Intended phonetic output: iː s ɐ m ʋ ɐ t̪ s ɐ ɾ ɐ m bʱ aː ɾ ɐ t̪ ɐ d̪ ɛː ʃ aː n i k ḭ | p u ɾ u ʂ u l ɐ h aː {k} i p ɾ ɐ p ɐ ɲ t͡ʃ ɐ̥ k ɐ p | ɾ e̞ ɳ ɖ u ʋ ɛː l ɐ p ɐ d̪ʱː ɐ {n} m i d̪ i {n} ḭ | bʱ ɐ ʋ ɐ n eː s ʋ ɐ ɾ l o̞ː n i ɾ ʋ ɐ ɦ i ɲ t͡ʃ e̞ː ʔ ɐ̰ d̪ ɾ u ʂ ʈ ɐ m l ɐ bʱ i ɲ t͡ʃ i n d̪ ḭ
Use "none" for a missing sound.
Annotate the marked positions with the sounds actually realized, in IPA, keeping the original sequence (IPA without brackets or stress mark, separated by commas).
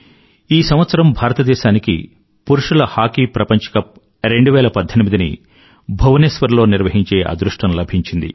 k, n, n